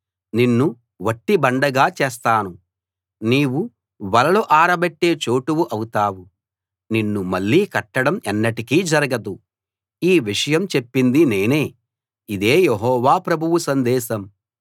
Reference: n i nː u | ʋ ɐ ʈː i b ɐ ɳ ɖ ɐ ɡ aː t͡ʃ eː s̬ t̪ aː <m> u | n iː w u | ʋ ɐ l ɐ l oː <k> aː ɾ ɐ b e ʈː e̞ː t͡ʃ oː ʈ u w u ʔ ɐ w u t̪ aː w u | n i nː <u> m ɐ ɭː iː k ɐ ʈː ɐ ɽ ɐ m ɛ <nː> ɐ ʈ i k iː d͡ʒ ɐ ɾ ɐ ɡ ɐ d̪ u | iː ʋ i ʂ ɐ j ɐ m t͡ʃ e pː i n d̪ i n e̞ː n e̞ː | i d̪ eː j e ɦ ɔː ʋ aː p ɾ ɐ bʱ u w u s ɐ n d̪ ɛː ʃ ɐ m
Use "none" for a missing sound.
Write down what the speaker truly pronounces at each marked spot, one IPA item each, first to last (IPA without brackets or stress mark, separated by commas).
n, ʔ, u, nː